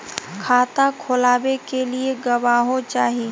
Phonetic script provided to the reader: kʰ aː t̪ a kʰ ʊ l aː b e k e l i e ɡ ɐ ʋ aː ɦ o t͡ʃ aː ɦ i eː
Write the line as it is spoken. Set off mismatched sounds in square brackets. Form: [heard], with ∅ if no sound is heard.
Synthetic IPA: kʰ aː t̪ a kʰ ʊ l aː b e k e l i e ɡ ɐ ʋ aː ɦ o t͡ʃ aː ɦ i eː